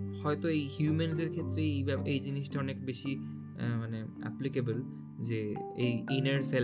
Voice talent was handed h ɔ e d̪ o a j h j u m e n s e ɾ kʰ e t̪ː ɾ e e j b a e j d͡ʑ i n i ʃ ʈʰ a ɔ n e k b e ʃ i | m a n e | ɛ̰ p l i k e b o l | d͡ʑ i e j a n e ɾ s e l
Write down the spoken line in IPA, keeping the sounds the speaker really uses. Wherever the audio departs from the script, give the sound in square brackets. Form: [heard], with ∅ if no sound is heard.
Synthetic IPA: h ɔ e [t̪] o [e] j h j u m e n s e ɾ kʰ e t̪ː ɾ e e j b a e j d͡ʑ i n i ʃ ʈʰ a ɔ n e k b e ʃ i | m a n e | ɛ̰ p l i k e b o l | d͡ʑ [e] e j [i] n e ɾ s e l